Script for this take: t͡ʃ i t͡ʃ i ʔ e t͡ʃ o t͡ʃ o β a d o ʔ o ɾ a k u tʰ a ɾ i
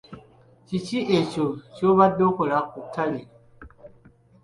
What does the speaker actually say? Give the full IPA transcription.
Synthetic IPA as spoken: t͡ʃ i t͡ʃ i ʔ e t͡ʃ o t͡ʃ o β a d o k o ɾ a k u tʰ a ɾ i